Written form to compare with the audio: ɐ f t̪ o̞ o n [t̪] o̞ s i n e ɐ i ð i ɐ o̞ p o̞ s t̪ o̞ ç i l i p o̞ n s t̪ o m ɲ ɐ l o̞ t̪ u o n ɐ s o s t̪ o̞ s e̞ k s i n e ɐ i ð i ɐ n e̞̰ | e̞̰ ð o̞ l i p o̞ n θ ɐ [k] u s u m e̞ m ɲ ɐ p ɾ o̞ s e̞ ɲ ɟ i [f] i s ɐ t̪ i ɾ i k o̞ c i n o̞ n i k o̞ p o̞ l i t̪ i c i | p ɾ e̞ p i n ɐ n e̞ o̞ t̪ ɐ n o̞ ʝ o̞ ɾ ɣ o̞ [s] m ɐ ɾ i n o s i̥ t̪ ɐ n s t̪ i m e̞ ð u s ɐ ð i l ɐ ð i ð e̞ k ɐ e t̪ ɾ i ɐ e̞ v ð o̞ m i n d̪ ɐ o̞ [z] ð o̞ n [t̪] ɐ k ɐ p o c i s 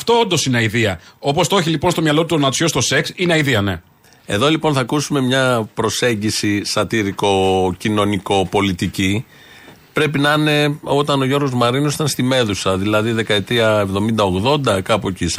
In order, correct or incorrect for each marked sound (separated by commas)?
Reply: incorrect, correct, incorrect, incorrect, incorrect, incorrect